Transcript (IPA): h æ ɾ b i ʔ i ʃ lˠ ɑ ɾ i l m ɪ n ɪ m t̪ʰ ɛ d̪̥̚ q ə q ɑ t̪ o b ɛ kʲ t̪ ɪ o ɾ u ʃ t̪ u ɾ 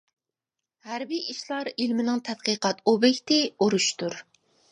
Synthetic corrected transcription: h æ ɾ b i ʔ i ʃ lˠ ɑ ɾ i l m ɪ n ɪ ŋ t̪ʰ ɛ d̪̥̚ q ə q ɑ t̪ o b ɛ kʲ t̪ ɪ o ɾ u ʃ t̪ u ɾ